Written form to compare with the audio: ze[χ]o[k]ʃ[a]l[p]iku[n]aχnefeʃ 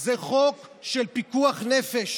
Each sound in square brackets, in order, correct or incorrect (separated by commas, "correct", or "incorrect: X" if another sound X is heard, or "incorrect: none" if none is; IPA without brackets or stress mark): correct, correct, incorrect: e, correct, incorrect: none